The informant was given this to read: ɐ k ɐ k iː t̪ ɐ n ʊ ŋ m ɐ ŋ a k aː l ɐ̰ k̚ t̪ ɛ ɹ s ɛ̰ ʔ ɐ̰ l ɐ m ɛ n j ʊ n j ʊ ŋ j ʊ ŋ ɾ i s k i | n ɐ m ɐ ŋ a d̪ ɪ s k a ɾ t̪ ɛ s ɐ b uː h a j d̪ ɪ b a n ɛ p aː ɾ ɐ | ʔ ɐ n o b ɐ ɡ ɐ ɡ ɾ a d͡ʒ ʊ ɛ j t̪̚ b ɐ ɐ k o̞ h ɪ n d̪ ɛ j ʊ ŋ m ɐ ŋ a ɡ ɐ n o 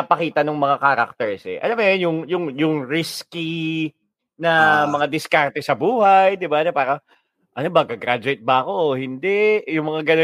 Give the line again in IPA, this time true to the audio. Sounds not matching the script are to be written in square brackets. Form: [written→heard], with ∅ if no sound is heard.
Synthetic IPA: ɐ [k→p] ɐ k iː t̪ ɐ n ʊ ŋ m ɐ ŋ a k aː [l→ɾ] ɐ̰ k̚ t̪ ɛ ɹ s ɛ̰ ʔ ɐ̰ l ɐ m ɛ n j ʊ [n→ŋ] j ʊ ŋ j ʊ ŋ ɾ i s k i | n ɐ m ɐ ŋ a d̪ ɪ s k a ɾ t̪ ɛ s ɐ b uː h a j d̪ ɪ b a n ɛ p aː ɾ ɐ | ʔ ɐ n o b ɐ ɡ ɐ ɡ ɾ a d͡ʒ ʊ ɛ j t̪̚ b ɐ ɐ k o̞ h ɪ n d̪ ɛ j ʊ ŋ m ɐ ŋ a ɡ ɐ n o